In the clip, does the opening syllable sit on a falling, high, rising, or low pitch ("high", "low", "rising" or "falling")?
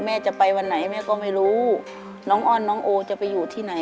falling